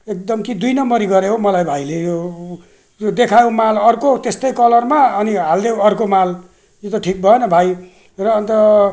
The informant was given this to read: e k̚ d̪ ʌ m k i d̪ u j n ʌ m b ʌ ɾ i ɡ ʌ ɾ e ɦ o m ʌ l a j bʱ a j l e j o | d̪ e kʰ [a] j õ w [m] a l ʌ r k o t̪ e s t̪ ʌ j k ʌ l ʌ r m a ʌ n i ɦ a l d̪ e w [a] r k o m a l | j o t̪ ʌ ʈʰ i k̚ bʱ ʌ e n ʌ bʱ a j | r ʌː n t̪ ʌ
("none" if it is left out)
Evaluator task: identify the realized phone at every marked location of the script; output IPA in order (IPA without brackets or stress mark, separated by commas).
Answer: a, m, ʌ